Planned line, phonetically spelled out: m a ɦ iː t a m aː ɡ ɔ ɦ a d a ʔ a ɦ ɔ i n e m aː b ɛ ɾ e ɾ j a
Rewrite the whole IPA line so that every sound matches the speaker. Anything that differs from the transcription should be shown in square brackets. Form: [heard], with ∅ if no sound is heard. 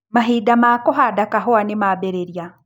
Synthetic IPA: m a ɦ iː [d] a m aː [k] ɔ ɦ a d a [k] a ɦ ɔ [a] n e m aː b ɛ ɾ e ɾ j a